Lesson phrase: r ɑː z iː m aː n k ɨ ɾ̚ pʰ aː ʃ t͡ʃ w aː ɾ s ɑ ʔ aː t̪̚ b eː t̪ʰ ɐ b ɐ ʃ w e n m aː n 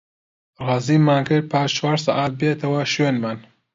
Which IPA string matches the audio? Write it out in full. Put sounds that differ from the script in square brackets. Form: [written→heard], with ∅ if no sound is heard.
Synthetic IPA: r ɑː z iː m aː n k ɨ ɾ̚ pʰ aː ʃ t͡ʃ w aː ɾ s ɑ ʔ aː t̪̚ b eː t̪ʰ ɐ [b→w] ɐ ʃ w e n m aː n